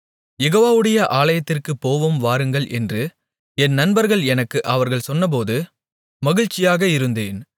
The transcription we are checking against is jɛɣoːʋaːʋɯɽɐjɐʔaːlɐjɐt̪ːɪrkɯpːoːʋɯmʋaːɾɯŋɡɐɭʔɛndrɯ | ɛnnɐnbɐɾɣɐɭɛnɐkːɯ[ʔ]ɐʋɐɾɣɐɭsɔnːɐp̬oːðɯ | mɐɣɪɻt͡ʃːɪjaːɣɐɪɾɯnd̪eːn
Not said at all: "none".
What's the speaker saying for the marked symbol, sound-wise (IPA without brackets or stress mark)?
ʔ